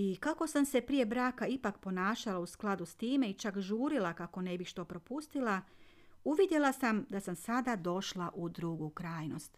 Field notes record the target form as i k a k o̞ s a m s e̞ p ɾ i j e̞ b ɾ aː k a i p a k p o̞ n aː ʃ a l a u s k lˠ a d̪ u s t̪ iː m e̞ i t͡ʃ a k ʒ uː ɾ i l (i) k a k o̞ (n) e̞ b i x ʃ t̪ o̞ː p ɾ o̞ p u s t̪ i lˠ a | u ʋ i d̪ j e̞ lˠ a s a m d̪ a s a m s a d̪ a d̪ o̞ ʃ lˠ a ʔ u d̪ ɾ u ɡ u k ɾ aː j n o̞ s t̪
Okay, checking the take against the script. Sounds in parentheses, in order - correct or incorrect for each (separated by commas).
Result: incorrect, correct